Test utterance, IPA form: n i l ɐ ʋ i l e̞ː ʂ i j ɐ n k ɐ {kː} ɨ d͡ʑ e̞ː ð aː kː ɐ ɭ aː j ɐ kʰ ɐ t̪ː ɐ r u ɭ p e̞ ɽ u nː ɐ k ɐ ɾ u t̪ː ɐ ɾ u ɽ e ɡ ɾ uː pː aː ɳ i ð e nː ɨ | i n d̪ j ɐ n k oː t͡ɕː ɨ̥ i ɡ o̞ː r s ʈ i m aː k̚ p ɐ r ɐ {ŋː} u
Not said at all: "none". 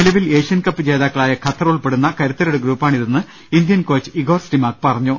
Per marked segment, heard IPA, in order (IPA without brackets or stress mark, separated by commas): pː, ɲː